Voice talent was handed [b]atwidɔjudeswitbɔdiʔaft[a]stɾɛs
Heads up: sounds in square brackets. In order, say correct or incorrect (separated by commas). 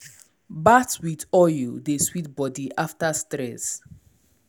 correct, correct